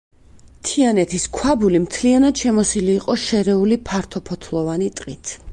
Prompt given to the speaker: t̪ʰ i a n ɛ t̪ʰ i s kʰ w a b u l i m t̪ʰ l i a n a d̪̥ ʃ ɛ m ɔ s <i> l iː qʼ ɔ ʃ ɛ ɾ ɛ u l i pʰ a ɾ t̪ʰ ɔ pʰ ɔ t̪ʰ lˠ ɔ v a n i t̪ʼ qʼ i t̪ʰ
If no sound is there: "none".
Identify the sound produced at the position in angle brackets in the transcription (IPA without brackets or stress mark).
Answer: i